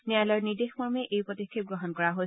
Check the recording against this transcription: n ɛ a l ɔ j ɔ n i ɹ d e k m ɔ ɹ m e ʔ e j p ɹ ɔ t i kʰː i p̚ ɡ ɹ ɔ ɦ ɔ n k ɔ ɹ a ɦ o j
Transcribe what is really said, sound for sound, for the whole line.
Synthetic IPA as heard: n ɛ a l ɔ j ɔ n i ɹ d e x m ɔ ɹ m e ʔ e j p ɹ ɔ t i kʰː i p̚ ɡ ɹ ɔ ɦ ɔ n k ɔ ɹ a ɦ o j